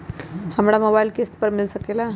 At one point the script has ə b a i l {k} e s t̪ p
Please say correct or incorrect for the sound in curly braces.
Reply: correct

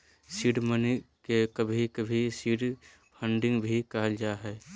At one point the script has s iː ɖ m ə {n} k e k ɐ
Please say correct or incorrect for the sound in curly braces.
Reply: correct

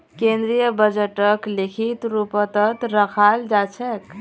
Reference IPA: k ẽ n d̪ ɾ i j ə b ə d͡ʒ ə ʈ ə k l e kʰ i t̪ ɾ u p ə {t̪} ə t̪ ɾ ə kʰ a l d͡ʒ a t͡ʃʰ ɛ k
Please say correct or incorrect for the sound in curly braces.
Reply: correct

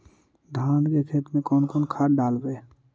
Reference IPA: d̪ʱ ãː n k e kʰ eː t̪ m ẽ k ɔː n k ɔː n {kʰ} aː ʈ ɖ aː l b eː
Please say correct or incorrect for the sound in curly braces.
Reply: correct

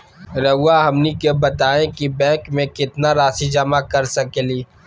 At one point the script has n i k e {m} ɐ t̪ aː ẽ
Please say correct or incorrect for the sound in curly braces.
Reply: incorrect: b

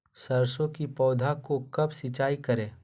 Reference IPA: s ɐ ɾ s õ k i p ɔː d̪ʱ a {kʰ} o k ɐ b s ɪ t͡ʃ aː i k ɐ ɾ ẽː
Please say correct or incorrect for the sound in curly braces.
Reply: incorrect: k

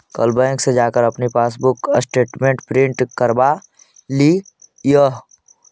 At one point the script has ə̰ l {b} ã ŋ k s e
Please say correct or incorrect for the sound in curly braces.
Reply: correct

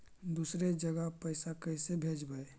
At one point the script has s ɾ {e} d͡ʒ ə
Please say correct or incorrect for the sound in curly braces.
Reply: correct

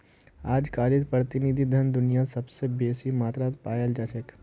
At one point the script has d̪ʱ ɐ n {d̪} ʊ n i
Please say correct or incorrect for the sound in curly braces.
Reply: correct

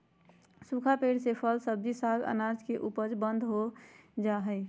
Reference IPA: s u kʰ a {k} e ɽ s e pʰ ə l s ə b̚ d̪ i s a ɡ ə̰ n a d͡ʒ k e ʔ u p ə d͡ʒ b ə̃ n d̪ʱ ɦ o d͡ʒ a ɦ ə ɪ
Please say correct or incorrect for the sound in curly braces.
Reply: incorrect: p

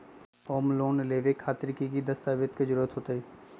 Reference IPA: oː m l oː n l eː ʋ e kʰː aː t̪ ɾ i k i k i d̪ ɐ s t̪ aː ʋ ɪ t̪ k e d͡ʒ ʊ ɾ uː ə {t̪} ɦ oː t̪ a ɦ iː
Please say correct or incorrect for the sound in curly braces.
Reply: correct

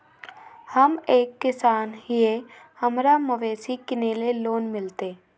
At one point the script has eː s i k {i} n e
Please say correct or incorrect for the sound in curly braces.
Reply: incorrect: ɪ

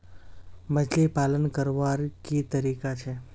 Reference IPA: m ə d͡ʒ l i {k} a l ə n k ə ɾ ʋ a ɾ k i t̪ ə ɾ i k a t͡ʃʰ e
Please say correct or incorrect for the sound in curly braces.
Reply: incorrect: p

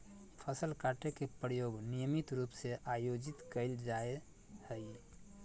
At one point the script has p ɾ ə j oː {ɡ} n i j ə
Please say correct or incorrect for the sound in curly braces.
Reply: correct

